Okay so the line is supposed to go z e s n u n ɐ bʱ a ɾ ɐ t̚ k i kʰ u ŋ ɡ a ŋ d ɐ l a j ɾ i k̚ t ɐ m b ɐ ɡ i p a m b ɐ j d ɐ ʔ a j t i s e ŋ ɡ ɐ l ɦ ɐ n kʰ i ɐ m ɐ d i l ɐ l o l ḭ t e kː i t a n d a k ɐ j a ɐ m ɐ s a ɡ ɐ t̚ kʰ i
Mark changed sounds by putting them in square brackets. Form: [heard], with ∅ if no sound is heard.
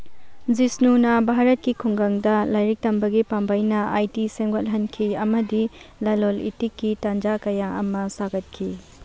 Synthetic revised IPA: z [i] s n u n ɐ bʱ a ɾ ɐ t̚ k i kʰ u ŋ ɡ a ŋ d ɐ l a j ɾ i k̚ t ɐ m b ɐ ɡ i p a m b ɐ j [n] ɐ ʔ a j t i s e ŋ ɡ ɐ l ɦ ɐ n kʰ i ɐ m ɐ d i l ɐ l o l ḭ t [i] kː i t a n [d͡ʒ] a k ɐ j a ɐ m ɐ s a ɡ ɐ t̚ kʰ i